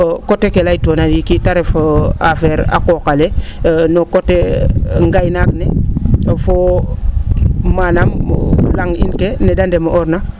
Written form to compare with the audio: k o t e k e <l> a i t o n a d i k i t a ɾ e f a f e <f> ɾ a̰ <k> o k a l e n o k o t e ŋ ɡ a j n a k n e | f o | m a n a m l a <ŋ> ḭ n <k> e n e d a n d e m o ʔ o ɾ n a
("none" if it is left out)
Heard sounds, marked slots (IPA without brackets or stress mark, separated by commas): l, none, k, ŋ, k